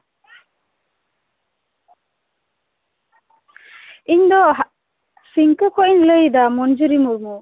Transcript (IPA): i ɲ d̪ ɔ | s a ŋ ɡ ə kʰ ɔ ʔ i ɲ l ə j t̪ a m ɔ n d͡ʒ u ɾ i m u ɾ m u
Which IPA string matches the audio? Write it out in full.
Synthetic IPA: i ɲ d̪ ɔ | s i ŋ k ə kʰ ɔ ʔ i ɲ l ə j d̪ a m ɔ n d͡ʒ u ɾ i m u ɾ m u